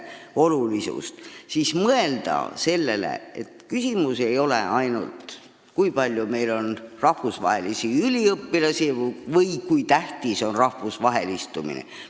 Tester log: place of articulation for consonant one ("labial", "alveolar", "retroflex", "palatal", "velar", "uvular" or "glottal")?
alveolar